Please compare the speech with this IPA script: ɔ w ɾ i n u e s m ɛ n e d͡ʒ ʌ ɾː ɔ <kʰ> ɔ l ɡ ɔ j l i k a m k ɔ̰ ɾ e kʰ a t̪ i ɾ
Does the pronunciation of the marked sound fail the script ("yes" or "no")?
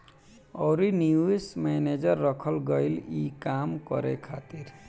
no